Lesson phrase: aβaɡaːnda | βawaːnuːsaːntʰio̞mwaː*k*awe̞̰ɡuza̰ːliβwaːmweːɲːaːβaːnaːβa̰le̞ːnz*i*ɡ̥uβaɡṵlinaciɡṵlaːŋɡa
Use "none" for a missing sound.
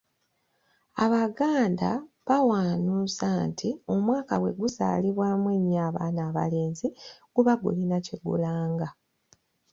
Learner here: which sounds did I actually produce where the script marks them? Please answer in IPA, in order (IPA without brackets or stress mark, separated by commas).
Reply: k, i